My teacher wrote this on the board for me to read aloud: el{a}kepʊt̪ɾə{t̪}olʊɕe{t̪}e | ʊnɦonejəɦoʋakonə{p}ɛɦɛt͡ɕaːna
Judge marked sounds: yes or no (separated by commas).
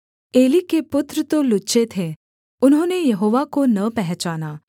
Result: no, yes, no, yes